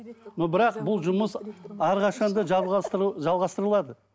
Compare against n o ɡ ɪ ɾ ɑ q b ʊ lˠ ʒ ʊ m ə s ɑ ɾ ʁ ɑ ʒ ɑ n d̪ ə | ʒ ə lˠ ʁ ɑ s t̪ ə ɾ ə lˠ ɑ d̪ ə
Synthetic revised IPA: n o b ɪ ɾ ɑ q b ʊ lˠ ʒ ʊ m ə s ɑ ɾ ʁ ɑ ʃ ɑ n d̪ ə | ʒ ɑ lˠ ʁ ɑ s t̪ ə ɾ ə lˠ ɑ d̪ ə